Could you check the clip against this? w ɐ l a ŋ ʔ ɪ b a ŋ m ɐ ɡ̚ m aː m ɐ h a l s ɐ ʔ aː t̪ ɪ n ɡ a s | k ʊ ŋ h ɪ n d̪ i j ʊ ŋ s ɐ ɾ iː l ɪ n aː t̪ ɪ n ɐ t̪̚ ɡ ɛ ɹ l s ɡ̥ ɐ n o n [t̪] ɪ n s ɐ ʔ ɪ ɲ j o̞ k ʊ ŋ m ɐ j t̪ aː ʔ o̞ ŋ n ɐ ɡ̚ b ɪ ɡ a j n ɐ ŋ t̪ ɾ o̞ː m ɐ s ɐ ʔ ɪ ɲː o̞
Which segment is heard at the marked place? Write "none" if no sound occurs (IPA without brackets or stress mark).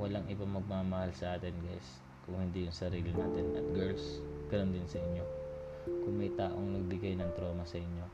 d̪